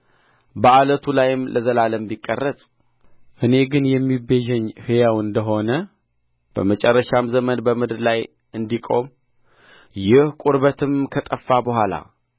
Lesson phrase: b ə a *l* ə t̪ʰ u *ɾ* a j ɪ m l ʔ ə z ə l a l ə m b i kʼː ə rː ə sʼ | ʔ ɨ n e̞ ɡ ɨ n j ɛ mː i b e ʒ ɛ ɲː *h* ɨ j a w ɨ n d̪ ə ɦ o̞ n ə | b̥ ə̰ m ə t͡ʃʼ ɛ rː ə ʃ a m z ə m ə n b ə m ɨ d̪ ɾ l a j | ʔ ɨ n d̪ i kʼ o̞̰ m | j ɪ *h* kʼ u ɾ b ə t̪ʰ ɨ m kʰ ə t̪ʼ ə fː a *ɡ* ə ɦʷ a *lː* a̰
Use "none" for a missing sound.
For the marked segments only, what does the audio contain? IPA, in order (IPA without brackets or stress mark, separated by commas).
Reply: l, l, h, h, b, l